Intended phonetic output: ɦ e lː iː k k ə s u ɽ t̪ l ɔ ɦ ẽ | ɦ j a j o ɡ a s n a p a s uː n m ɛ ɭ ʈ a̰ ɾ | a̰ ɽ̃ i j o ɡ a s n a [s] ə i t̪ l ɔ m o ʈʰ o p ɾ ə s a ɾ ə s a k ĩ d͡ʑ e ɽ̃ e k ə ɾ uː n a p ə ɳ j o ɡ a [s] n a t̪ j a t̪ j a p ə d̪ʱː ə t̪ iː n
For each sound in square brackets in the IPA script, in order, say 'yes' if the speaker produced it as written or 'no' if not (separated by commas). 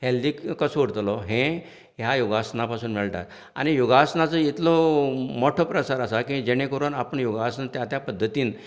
no, yes